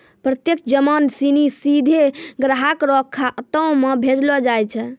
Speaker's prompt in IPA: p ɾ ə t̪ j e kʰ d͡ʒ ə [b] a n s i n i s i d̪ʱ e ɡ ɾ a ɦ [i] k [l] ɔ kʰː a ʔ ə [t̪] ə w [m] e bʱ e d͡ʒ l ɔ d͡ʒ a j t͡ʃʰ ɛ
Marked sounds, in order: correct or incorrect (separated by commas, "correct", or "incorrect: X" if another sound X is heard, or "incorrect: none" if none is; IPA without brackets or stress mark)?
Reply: incorrect: m, incorrect: a, incorrect: ɾ, correct, correct